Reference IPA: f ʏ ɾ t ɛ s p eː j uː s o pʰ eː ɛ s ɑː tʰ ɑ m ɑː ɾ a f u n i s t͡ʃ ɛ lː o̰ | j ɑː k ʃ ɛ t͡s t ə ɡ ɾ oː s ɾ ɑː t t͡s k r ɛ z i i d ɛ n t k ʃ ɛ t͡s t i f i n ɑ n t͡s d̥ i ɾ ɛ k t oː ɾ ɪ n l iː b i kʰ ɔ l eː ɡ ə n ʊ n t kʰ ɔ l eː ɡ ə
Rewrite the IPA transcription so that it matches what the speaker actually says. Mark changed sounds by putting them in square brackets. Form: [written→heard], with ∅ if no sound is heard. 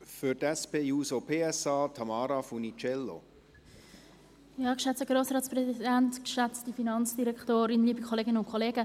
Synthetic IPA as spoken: f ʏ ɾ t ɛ s p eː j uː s o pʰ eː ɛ s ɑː tʰ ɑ m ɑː ɾ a f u n i [s→∅] t͡ʃ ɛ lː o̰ | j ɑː k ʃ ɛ t͡s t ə ɡ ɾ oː s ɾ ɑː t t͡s [k→p] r ɛ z i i d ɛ n t k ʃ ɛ t͡s t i f i n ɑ n t͡s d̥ i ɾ ɛ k t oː ɾ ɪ n l iː b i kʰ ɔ l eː ɡ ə n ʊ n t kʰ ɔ l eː ɡ ə

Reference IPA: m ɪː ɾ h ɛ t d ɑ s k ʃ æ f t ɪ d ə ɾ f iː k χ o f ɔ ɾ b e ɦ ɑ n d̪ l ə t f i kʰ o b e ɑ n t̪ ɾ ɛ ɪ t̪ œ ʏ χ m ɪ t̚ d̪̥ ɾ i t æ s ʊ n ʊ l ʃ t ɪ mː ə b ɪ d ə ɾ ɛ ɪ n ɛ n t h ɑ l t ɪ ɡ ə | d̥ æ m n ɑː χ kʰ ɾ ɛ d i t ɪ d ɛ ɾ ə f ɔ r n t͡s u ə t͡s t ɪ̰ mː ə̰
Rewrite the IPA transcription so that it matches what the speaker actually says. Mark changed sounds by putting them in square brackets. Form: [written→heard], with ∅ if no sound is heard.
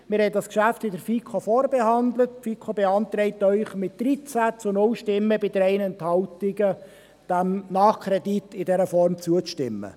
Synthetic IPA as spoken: m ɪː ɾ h ɛ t d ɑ s k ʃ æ f t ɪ d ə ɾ f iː k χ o f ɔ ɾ b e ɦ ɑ n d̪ l ə t f i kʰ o b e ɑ n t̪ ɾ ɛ ɪ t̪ œ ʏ χ m ɪ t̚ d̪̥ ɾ i [t→t͡s] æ [s→t͡s] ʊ n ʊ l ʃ t ɪ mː ə b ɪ d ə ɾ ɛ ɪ n ɛ n t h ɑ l t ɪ ɡ ə | d̥ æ m n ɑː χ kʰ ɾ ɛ d i t ɪ d ɛ ɾ ə f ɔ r [n→m] t͡s u ə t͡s t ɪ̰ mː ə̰

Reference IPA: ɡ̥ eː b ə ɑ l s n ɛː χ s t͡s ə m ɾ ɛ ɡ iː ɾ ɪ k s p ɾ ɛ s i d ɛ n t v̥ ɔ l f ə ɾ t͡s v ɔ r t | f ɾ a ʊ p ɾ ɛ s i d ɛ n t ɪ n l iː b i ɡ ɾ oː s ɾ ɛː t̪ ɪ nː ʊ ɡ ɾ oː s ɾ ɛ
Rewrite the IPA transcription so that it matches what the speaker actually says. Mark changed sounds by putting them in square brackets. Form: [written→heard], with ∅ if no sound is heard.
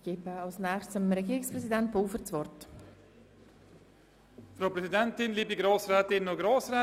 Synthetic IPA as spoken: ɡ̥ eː b ə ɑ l s n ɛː χ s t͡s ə m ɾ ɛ ɡ iː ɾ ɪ k s p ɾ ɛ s i d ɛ n t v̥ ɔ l f ə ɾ t͡s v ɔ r t | f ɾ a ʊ p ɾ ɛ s i d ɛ n t ɪ n l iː b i ɡ ɾ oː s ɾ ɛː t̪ ɪ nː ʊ ɡ ɾ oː s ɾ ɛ

